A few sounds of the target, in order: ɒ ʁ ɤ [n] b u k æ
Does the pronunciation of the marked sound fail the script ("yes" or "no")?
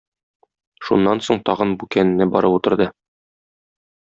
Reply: no